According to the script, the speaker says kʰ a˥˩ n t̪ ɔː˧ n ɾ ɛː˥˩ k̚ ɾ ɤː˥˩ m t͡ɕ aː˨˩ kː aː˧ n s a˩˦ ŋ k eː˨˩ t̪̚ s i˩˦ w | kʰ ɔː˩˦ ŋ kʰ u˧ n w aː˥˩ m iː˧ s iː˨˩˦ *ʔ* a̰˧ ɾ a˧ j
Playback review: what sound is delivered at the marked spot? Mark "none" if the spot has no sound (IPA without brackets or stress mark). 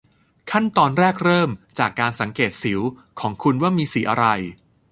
ʔ